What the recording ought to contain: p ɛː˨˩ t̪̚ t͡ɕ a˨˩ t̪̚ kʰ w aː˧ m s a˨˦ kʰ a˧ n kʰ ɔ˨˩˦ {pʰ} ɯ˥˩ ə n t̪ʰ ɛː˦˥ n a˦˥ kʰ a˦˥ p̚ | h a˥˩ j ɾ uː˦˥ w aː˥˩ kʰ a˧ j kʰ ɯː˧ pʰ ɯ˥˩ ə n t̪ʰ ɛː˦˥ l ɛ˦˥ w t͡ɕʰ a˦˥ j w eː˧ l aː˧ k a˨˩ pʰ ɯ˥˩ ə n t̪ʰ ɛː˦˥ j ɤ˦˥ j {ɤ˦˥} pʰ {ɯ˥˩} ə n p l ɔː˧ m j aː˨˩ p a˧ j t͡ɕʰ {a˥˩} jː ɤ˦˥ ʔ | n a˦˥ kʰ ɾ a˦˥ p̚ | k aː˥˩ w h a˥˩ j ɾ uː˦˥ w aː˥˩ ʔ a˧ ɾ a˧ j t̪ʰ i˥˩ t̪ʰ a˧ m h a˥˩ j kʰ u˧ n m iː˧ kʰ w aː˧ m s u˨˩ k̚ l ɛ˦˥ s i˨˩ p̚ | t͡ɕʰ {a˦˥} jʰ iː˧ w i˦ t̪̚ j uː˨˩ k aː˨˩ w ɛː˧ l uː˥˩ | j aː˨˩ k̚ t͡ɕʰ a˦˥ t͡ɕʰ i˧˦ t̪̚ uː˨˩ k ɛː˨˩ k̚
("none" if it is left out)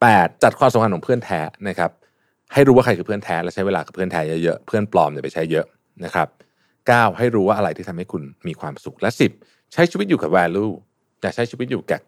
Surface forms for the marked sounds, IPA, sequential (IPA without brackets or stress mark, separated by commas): pʰ, ɤ˦˥, ɯ˥˩, a˦˥, a˦˥